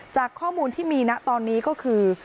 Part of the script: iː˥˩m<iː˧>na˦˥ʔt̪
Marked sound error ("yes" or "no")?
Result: no